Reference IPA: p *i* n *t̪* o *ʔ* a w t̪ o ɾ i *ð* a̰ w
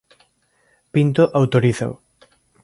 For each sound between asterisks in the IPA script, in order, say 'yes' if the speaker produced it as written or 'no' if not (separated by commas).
yes, yes, yes, no